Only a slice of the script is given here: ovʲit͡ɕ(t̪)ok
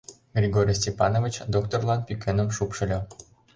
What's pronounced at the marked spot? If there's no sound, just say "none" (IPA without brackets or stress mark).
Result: d̪